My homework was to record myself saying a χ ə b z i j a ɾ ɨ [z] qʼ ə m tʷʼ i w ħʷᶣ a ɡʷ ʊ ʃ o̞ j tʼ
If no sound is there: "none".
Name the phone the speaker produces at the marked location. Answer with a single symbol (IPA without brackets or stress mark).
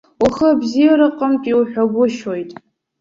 none